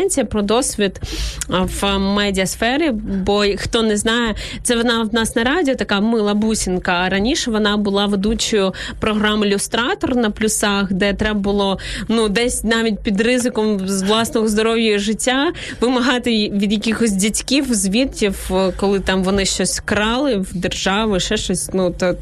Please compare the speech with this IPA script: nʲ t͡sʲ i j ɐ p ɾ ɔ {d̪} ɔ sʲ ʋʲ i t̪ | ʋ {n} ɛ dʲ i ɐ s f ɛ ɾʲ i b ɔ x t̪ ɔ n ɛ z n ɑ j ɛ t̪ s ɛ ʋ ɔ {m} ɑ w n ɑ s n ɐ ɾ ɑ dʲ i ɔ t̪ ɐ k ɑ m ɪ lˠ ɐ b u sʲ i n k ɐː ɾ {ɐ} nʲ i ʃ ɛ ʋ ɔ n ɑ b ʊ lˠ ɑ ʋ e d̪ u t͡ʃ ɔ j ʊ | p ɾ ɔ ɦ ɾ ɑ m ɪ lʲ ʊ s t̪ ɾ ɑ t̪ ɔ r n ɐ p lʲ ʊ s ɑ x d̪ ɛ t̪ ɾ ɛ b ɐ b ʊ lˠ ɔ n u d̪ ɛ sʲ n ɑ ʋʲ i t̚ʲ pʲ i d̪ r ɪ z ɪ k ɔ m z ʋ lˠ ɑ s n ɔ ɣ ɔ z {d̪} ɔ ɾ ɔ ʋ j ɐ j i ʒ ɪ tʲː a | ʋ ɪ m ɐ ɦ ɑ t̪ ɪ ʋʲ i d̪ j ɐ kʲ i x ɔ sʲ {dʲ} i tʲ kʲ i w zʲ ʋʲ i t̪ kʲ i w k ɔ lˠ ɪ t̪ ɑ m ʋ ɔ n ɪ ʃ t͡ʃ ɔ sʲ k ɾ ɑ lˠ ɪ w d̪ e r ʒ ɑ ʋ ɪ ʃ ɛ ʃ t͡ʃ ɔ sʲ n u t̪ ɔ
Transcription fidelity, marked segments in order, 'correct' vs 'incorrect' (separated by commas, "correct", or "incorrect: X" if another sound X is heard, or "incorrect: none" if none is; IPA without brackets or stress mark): correct, incorrect: m, incorrect: n, correct, correct, correct